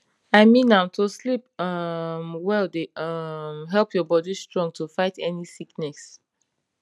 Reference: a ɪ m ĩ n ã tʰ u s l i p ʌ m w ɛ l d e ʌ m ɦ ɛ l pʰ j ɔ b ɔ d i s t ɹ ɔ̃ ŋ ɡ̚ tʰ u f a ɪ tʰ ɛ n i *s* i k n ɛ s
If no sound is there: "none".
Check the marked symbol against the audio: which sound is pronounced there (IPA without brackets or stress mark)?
s